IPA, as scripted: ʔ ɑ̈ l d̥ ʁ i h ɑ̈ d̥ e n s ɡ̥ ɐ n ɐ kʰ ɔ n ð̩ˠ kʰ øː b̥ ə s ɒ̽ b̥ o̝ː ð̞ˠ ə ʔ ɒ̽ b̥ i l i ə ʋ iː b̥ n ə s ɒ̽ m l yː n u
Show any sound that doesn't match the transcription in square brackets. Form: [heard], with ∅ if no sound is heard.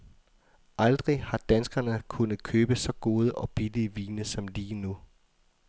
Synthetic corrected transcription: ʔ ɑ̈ l d̥ ʁ i h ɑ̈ d̥ [æ] n s ɡ̥ ɐ n [ə] kʰ [u] n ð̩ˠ kʰ øː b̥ ə s ɒ̽ [ɡ̥] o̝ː ð̞ˠ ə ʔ ɒ̽ b̥ i l i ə ʋ iː [∅] n ə s ɒ̽ m l [iː] n u